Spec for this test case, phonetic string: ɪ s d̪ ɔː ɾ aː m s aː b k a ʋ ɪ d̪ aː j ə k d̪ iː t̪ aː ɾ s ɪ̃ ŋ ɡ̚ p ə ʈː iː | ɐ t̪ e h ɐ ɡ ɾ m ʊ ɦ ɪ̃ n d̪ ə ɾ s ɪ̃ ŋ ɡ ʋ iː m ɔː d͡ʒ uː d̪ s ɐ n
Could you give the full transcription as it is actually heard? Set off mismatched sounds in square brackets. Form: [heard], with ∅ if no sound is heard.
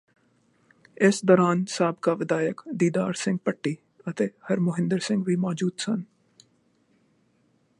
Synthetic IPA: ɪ s d̪ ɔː ɾ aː [n] s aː b k a ʋ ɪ d̪ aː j ə k d̪ iː [d̪] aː ɾ s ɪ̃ ŋ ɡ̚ p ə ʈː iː | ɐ t̪ e h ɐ [∅] ɾ m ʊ ɦ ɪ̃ n d̪ ə ɾ s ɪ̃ ŋ ɡ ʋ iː m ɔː d͡ʒ uː d̪ s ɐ n

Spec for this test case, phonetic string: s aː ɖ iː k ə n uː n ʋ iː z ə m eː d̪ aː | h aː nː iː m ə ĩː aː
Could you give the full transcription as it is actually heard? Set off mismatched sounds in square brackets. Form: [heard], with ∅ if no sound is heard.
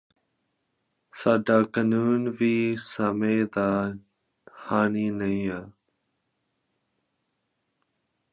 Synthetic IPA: s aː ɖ [aː] k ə n uː n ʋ iː [s] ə m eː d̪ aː | h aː [n] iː [n] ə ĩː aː

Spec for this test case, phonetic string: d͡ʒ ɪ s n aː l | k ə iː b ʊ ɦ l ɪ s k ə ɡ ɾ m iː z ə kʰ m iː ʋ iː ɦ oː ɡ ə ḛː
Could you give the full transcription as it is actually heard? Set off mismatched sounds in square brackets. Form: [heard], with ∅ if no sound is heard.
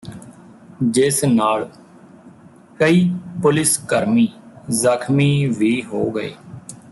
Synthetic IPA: d͡ʒ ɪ s n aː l | k ə iː [p] ʊ [∅] l ɪ s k ə [∅] ɾ m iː z ə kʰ m iː ʋ iː ɦ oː ɡ ə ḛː

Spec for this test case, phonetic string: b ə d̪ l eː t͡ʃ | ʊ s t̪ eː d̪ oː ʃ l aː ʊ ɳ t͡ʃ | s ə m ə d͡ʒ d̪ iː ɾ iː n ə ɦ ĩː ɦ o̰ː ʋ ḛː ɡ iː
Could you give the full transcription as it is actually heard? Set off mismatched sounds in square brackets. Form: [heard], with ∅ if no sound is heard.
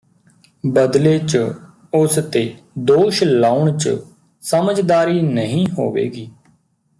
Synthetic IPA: b ə d̪ l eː t͡ʃ | ʊ s t̪ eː d̪ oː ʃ l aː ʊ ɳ t͡ʃ | s ə m ə d͡ʒ d̪ [aː] ɾ iː n ə ɦ ĩː ɦ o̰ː ʋ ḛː ɡ iː

